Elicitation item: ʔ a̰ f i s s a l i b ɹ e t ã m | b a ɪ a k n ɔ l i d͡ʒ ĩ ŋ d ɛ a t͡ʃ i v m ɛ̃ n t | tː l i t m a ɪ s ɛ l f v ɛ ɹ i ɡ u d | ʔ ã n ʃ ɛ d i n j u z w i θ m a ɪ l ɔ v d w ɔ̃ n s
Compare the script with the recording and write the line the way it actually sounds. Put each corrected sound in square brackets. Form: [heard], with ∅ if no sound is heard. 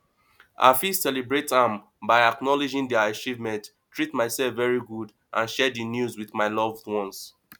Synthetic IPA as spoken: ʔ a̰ f i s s [ɛ] l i b ɹ e t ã m | b a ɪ a k n ɔ l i d͡ʒ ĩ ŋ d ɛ a t͡ʃ i v m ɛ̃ n t | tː [ɹ] i t m a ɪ s ɛ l f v ɛ ɹ i ɡ u d | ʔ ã n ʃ ɛ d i n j u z w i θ m a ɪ l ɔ v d w ɔ̃ n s